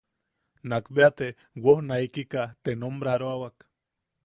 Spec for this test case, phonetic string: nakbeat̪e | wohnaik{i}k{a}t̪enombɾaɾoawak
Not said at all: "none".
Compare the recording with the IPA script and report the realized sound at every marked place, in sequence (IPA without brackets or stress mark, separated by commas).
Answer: i, a